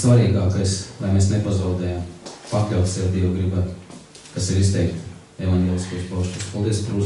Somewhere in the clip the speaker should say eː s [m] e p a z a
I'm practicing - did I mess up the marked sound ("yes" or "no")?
yes